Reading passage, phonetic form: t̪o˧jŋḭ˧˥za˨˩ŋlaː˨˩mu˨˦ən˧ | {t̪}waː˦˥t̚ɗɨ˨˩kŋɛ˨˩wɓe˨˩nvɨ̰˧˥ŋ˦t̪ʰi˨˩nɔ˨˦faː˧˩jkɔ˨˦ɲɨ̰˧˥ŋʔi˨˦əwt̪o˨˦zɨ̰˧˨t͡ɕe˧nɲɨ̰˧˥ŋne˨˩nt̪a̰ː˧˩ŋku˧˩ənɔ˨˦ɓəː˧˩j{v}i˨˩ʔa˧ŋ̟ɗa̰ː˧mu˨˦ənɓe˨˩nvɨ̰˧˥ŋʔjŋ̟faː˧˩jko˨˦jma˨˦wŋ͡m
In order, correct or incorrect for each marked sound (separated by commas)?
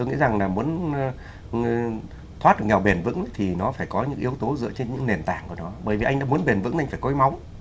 incorrect, correct